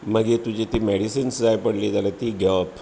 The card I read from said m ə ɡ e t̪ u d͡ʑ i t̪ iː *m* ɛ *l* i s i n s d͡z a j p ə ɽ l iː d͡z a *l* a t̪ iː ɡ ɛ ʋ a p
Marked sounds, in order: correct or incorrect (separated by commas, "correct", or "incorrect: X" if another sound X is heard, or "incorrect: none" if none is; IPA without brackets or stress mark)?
correct, incorrect: ɽ, correct